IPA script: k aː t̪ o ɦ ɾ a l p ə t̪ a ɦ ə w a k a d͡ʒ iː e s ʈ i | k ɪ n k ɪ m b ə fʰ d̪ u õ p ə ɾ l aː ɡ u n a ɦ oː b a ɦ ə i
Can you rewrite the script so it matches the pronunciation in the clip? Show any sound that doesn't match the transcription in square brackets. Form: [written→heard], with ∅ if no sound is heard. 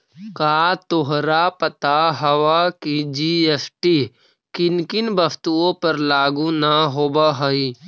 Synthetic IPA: k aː t̪ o ɦ ɾ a [l→∅] p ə t̪ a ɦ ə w a k [a→i] d͡ʒ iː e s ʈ i | k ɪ n k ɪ [m→n] b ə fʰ [d̪→t̪] u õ p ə ɾ l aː ɡ u n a ɦ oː b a ɦ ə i